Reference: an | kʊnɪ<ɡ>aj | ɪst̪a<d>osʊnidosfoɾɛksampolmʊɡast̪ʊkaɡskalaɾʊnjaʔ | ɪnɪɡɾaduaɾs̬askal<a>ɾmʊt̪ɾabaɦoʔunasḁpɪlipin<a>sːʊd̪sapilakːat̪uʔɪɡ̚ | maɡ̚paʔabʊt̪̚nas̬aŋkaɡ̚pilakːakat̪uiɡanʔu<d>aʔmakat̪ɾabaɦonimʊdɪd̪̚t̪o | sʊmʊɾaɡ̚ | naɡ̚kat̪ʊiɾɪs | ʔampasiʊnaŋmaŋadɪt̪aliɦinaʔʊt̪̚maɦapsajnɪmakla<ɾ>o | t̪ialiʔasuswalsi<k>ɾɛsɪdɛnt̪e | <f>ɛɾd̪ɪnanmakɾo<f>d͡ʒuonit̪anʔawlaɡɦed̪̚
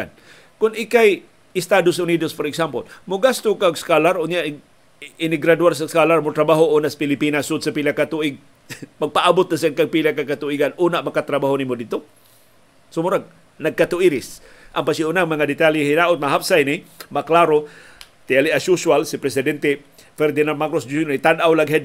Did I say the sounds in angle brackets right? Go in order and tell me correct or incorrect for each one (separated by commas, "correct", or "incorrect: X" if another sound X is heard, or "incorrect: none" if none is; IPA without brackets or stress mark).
incorrect: k, correct, correct, correct, incorrect: n, correct, incorrect: p, correct, incorrect: s